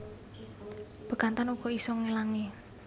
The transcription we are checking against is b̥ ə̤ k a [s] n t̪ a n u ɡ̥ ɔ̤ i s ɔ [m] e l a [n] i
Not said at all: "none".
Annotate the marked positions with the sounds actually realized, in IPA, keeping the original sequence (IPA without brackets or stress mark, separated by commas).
none, ŋ, ŋ